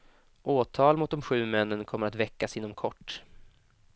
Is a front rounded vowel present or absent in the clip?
absent